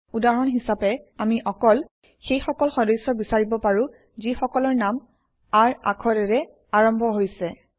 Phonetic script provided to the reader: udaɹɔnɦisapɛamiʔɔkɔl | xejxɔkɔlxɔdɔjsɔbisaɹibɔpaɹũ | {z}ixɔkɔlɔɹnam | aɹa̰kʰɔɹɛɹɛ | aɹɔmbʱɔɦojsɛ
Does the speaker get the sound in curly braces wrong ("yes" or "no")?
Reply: no